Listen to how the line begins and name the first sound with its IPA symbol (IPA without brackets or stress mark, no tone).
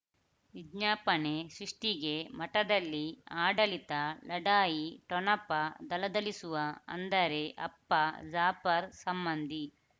ʋ